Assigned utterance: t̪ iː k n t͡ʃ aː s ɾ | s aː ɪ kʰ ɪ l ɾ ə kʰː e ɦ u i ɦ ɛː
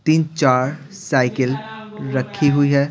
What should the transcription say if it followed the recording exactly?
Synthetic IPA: t̪ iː n t͡ʃ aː ɾ | s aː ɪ k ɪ l ɾ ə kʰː i ɦ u i ɦ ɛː